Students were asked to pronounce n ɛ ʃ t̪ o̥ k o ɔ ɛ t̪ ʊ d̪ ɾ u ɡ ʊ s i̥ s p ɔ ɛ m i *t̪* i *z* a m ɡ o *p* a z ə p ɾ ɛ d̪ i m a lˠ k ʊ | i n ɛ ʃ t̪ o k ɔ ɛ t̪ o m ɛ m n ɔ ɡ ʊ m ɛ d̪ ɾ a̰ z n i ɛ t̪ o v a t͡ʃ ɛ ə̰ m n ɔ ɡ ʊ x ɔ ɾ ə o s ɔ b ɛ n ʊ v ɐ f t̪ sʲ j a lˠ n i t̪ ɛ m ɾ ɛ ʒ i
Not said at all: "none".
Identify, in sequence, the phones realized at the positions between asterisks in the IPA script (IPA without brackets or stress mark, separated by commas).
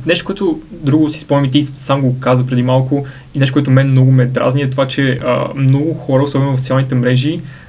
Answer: t̪, s, k